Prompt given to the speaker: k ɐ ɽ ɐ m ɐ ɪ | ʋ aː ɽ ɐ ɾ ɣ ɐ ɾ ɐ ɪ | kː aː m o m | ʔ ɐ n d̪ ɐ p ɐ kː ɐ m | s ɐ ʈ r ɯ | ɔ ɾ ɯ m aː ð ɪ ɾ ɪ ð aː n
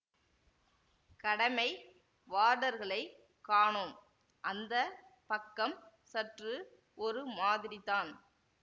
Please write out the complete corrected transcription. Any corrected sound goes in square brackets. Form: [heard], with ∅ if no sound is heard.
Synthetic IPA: k ɐ ɽ ɐ m ɐ ɪ | ʋ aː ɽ ɐ ɾ ɣ ɐ [ɭ] ɐ ɪ | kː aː [ɳ] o m | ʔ ɐ n d̪ ɐ p ɐ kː ɐ m | s ɐ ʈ r ɯ | ɔ ɾ ɯ m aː ð ɪ ɾ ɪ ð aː n